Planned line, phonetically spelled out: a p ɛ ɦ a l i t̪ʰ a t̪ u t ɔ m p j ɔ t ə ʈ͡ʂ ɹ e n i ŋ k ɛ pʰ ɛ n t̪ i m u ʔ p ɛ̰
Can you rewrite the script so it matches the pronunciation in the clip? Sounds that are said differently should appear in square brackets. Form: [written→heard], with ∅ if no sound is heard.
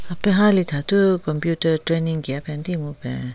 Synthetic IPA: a p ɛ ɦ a l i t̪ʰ a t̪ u [t→k] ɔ m p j [ɔ→u] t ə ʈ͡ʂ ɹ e n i ŋ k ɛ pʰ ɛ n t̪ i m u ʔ p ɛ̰